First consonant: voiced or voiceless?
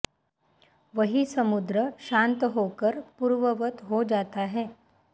voiced